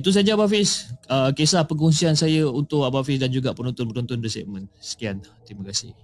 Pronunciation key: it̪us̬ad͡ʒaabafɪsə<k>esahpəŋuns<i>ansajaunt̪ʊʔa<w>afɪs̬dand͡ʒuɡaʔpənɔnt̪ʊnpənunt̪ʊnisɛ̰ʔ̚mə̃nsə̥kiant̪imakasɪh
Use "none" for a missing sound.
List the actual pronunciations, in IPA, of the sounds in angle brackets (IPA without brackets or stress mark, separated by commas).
k, i, b